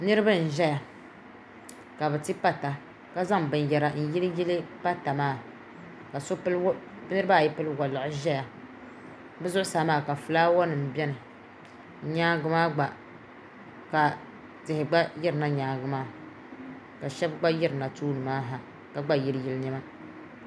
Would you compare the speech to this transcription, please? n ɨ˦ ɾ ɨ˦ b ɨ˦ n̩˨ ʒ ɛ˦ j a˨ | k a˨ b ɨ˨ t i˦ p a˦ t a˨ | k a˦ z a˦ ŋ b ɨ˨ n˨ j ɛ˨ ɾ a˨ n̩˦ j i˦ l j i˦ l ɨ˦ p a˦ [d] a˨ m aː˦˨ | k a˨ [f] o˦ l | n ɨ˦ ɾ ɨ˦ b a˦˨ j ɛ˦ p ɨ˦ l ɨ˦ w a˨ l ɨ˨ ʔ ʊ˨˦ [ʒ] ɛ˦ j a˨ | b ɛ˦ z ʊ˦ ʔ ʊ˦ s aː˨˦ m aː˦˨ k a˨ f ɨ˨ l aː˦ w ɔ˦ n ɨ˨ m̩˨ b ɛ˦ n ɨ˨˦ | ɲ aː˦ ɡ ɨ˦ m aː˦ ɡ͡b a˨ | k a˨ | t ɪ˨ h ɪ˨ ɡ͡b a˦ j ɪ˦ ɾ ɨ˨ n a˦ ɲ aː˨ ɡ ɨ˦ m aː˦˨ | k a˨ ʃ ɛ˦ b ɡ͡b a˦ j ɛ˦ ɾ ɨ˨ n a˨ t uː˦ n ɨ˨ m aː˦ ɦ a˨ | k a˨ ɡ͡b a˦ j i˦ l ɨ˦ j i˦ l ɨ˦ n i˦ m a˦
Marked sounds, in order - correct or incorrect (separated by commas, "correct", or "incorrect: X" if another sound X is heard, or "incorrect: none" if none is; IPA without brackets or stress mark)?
incorrect: t, incorrect: s, correct